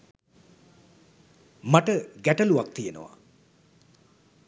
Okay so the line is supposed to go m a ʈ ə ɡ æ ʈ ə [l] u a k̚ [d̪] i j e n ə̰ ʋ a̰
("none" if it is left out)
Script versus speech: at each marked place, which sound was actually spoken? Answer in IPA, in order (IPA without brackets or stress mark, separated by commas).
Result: l, t̪